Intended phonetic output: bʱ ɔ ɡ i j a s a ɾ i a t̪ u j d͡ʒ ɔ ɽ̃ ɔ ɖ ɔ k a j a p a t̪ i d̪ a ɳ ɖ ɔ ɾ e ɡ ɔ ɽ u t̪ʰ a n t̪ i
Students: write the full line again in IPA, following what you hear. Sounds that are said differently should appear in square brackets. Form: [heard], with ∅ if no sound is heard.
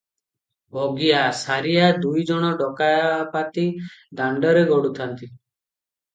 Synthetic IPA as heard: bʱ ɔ ɡ i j a s a ɾ i a [d̪] u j d͡ʒ ɔ ɽ̃ ɔ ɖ ɔ k a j a p a t̪ i d̪ a ɳ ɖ ɔ ɾ e ɡ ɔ ɽ u t̪ʰ a n t̪ i